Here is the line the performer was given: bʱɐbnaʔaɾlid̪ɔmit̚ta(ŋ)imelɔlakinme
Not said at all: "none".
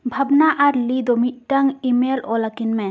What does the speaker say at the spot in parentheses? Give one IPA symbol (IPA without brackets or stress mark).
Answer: ŋ